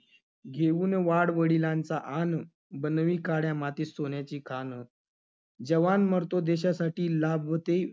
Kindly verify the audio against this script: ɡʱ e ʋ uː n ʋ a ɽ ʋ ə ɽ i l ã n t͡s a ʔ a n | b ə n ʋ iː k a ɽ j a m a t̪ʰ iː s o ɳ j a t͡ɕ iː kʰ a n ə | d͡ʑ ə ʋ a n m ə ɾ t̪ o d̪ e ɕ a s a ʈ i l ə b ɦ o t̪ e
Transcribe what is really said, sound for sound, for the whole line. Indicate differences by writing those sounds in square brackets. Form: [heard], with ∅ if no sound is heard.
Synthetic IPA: ɡʱ e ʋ uː n ʋ a ɽ ʋ ə ɽ i l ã n t͡s a ʔ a n | b ə n ʋ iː k a ɽ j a m a [t̪] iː s o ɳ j a t͡ɕ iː kʰ a n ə | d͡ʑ ə ʋ a n m ə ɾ t̪ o d̪ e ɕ a s a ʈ [iː] l [a] b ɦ o t̪ e